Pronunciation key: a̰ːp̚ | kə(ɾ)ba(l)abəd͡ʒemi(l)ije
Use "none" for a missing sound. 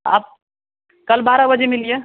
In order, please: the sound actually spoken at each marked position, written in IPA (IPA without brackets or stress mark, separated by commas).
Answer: l, ɾ, l